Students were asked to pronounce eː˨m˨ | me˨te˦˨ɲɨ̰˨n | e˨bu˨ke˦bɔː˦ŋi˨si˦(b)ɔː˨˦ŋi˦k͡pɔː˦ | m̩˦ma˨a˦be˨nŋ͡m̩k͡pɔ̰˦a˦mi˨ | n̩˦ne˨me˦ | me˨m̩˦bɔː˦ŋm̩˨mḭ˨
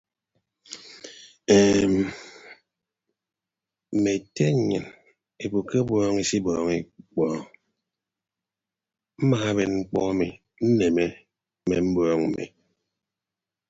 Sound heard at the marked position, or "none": b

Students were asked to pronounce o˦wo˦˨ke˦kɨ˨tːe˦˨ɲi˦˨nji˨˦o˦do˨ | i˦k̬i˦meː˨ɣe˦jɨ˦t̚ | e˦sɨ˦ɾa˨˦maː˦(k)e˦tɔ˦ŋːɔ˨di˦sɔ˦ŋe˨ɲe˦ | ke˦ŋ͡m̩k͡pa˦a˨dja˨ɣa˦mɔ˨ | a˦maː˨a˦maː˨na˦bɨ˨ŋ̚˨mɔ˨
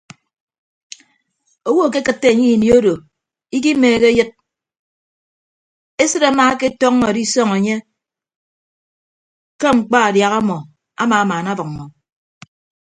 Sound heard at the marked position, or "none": k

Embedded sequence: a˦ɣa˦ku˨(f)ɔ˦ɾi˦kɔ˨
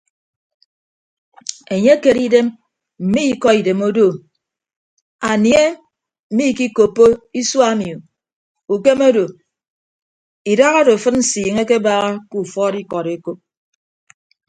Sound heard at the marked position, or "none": f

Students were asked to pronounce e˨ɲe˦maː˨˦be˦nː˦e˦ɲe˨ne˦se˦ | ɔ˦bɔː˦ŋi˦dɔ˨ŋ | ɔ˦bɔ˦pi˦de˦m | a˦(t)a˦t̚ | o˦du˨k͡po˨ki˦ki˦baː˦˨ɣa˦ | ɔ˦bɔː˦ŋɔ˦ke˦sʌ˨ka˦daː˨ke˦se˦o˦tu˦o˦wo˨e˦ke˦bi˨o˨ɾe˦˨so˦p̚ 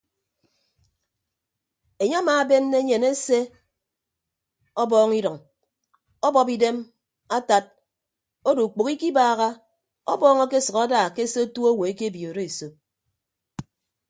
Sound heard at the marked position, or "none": t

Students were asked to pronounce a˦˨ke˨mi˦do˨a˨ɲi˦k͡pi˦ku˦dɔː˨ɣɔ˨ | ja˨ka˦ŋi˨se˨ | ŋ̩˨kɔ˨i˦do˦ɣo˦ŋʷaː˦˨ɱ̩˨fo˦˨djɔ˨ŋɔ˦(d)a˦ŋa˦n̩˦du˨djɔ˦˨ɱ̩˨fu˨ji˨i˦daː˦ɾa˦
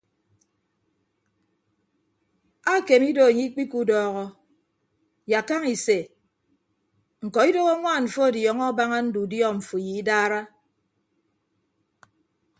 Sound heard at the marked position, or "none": b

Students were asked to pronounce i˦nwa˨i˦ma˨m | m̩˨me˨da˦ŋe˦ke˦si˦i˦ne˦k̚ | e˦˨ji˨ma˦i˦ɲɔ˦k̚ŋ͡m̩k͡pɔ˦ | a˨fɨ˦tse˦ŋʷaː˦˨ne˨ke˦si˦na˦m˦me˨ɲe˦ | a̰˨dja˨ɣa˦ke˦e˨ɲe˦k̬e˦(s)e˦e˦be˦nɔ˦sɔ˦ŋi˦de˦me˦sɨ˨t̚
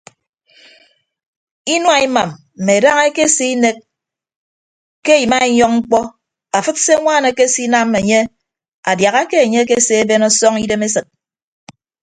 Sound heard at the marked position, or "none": s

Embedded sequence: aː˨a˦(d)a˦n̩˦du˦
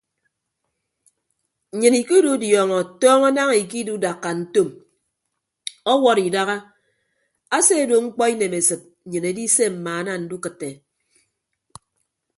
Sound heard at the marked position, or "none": n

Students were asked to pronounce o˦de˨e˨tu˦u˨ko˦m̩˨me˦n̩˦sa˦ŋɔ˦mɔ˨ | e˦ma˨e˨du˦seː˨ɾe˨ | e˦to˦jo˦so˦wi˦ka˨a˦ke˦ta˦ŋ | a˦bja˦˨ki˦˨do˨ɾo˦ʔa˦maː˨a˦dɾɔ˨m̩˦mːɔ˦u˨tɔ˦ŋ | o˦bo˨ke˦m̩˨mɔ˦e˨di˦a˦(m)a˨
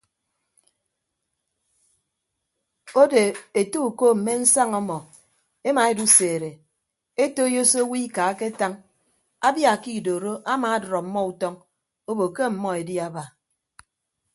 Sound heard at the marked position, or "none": b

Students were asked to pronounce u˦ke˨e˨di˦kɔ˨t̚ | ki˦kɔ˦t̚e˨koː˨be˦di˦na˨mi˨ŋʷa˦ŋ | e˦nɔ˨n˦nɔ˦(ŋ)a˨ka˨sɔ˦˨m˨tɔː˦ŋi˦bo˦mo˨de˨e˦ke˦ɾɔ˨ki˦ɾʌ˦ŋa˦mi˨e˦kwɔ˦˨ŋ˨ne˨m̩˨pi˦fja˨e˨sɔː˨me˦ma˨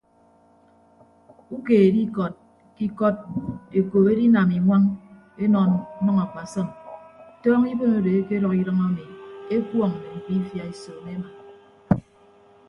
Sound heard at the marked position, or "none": ŋ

